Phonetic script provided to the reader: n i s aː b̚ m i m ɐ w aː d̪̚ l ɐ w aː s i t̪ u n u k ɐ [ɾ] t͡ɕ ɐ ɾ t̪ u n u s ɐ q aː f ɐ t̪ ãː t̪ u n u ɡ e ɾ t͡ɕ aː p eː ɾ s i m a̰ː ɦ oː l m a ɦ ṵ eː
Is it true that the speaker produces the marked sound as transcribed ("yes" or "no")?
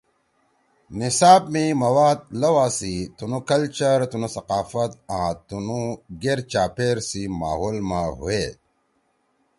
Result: no